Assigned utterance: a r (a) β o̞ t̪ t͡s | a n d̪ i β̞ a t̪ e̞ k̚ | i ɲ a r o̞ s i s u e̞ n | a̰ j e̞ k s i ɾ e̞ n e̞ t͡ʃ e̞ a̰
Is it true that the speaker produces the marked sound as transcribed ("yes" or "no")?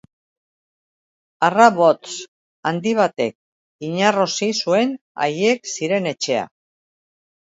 yes